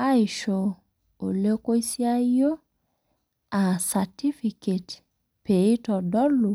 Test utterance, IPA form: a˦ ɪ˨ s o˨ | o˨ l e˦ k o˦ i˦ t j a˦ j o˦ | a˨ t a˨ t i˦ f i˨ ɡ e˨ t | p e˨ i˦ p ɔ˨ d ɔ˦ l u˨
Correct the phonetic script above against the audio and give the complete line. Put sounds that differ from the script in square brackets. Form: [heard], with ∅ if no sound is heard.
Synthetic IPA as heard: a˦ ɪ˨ [ʃ] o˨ | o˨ l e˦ k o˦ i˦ [s] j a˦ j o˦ | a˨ [s] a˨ t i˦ f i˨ [k] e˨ t | p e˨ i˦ [t] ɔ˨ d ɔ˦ l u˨